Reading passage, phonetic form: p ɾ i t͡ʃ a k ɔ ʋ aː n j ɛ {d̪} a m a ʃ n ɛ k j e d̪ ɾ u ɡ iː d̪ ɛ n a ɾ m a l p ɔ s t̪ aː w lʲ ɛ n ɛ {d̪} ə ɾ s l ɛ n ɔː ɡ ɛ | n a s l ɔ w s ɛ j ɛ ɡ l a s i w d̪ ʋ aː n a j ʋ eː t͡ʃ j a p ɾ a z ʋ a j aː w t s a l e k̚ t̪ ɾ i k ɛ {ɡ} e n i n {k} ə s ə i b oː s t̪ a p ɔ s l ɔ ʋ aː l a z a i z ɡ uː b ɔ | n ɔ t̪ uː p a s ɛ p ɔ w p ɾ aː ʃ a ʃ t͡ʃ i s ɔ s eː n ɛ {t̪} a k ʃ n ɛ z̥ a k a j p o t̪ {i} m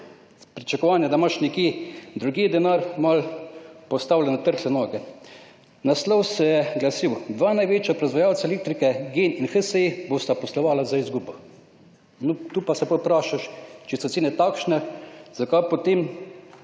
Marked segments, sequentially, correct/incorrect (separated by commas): correct, incorrect, correct, incorrect, correct, incorrect